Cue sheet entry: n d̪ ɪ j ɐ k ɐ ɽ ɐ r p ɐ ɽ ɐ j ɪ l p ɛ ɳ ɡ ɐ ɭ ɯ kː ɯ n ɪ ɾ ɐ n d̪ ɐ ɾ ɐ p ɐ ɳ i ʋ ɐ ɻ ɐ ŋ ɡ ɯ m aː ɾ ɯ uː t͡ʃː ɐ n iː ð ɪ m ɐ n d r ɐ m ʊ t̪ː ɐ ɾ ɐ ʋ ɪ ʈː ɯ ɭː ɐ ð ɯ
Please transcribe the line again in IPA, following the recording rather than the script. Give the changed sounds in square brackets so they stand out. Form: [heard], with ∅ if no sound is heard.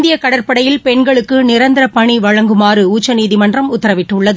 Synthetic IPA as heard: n d̪ ɪ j ɐ k ɐ ɽ ɐ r p ɐ ɽ ɐ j ɪ l p ɛ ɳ ɡ ɐ ɭ ɯ kː ɯ n ɪ ɾ ɐ n d̪ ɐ ɾ ɐ p ɐ ɳ i ʋ ɐ ɻ ɐ ŋ ɡ ɯ m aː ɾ ɯ uː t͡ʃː ɐ n iː ð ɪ m ɐ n d r ɐ m ʊ t̪ː ɐ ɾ ɐ ʋ ɪ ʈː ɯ ɭː ɐ ð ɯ